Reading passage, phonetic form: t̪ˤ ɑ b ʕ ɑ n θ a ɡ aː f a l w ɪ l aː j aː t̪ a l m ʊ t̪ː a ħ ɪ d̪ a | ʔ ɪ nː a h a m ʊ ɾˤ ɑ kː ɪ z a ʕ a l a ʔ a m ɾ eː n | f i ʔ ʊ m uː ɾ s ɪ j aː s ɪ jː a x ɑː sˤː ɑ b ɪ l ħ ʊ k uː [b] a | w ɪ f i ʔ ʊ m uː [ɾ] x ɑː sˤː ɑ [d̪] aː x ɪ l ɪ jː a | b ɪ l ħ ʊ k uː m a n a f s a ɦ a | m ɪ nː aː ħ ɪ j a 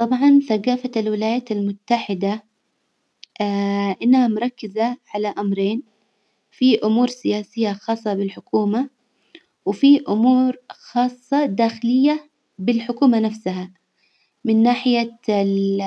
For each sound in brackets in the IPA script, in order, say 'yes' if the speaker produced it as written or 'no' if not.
no, yes, yes

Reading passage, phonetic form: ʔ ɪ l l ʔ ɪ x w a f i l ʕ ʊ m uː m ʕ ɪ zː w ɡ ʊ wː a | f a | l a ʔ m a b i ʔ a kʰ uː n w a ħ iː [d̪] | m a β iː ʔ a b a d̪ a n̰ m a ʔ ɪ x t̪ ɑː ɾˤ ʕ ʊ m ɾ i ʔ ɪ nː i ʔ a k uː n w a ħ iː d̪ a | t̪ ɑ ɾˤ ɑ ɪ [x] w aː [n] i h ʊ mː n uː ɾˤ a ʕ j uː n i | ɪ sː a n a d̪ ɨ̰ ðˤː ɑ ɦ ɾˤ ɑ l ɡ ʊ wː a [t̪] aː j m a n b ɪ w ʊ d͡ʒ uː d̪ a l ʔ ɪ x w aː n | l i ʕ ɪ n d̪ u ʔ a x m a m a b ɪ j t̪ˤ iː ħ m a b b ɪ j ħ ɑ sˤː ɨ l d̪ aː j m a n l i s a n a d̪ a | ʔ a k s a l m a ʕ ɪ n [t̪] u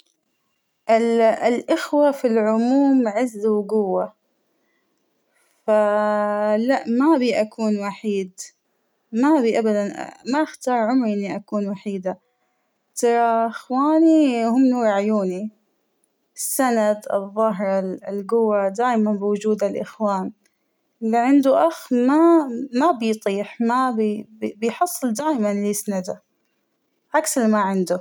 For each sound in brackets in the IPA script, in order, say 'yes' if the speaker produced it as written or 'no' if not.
yes, yes, yes, no, no

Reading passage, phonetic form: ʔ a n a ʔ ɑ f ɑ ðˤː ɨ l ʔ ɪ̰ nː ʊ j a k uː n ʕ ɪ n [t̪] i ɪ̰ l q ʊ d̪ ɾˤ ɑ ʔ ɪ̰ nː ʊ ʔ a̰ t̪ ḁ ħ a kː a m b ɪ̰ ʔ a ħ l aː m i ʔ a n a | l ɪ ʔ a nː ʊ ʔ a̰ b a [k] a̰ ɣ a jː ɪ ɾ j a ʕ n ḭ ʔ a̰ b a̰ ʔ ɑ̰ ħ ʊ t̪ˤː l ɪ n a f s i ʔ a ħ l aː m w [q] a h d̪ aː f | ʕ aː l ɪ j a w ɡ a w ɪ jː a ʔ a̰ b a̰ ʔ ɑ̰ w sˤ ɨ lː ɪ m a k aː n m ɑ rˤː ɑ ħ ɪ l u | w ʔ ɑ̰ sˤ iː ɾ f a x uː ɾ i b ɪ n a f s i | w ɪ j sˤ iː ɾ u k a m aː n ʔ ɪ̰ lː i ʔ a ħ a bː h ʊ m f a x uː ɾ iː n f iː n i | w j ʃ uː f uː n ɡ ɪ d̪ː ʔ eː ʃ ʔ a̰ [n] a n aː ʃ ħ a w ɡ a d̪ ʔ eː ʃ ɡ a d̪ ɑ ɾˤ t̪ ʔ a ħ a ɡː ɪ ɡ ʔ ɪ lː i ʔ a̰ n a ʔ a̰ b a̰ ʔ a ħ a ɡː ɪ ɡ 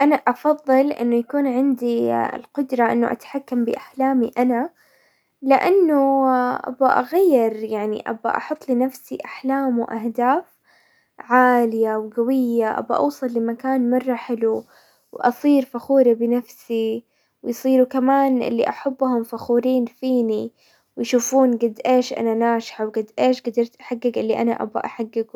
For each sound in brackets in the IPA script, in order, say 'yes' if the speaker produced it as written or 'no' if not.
no, no, no, yes

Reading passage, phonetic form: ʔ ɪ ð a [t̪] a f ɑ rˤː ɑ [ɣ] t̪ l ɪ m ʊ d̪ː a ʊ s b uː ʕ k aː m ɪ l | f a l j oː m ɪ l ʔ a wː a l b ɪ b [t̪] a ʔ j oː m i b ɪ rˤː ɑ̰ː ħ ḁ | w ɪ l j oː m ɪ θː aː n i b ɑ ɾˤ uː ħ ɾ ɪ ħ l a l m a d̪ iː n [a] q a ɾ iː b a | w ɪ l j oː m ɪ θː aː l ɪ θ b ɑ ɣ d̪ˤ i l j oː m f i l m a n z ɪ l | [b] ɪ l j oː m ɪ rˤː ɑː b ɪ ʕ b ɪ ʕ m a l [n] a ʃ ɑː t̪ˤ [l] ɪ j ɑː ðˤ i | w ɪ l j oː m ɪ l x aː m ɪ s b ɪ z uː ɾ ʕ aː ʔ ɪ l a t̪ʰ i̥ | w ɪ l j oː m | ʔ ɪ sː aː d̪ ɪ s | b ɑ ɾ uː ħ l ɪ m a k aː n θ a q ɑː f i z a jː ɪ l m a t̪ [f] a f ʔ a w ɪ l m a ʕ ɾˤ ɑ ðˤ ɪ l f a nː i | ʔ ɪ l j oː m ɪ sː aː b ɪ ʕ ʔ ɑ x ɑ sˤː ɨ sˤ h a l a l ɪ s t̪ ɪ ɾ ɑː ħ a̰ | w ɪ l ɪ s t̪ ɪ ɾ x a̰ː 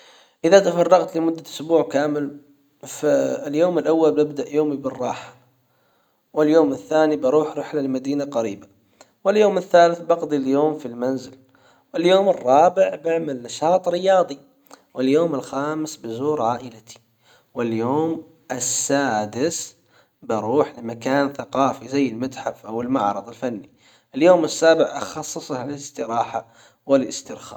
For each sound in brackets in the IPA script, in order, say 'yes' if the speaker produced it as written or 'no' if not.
yes, yes, no, yes, no, yes, no, no

